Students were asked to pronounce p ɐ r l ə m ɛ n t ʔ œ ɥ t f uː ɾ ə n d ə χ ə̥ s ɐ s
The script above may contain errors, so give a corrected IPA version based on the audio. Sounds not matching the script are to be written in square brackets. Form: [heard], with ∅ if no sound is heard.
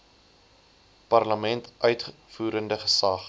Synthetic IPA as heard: p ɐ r l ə m ɛ n t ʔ œ ɥ t f uː ɾ ə n d ə χ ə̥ s ɐ [χ]